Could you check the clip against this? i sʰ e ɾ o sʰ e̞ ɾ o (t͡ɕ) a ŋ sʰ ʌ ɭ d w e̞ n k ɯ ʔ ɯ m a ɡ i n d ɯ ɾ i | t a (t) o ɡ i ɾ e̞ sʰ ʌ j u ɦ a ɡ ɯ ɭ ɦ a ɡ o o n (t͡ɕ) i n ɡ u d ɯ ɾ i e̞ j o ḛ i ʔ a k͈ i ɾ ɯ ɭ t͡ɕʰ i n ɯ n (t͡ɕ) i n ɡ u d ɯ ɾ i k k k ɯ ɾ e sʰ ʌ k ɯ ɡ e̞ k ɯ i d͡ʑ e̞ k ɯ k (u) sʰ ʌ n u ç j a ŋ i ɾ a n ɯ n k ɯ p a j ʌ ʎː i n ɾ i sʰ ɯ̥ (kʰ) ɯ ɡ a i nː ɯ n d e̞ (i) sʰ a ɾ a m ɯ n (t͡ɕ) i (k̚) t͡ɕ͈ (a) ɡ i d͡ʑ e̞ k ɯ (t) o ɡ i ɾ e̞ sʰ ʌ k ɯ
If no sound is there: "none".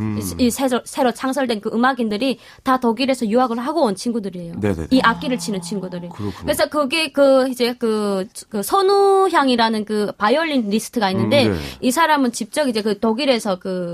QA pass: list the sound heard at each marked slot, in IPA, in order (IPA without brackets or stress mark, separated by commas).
t͡ɕʰ, t, t͡ɕʰ, t͡ɕʰ, ɯ, tʰ, i, t͡ɕ, p̚, ʌ, t